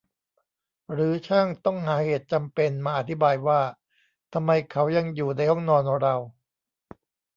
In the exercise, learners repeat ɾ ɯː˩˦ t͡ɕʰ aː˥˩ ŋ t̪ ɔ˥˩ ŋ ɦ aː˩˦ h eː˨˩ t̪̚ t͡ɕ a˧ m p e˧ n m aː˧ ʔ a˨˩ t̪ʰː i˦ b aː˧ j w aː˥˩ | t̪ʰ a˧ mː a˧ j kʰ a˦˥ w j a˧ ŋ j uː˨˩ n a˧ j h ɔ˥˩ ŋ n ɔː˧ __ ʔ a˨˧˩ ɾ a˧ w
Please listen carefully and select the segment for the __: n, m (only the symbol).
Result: n